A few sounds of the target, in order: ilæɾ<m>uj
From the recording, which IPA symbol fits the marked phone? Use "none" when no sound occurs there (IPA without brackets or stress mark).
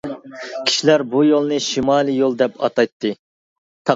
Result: b